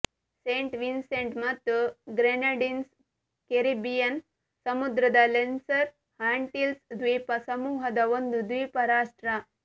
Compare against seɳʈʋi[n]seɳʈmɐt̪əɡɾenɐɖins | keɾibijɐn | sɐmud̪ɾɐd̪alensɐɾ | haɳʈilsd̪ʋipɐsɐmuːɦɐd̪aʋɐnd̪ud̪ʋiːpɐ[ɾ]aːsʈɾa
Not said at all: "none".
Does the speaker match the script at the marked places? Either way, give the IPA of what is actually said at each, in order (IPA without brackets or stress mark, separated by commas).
n, ɾ